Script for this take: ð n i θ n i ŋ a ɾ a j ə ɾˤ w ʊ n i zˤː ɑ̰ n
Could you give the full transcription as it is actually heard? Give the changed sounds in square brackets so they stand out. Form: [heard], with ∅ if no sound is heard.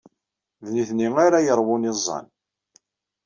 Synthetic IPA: ð n i θ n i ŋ a ɾ a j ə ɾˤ w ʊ n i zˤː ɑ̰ n